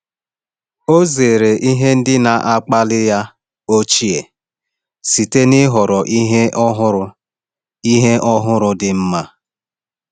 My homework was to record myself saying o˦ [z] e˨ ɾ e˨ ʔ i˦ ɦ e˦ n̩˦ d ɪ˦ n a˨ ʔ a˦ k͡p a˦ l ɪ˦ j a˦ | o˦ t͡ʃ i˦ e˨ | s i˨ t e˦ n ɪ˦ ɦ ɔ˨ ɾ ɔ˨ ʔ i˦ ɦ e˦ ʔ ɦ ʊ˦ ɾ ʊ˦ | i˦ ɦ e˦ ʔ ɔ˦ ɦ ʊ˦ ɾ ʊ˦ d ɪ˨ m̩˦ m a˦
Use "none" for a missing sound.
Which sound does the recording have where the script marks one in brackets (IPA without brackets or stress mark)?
z